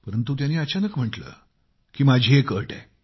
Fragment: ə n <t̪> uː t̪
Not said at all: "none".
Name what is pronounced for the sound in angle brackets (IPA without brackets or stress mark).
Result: t̪